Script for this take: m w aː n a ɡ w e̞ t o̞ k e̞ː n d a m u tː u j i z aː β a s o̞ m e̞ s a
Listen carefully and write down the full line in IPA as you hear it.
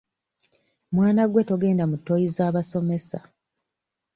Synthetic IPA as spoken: m w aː n a ɡ w e̞ t o̞ ɡ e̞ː n d a m u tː o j i z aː β a s o̞ m e̞ s a